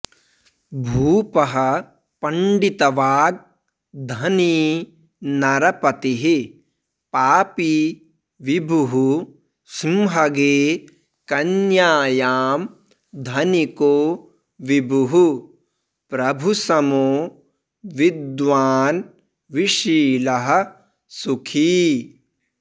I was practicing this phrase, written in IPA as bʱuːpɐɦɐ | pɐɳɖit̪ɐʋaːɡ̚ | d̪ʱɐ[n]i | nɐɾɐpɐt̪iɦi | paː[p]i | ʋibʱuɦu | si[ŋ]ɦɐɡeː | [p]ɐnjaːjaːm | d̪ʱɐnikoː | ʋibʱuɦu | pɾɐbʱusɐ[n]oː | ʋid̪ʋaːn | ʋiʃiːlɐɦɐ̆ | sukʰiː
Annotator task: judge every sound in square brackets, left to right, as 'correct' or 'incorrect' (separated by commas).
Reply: correct, correct, incorrect, incorrect, incorrect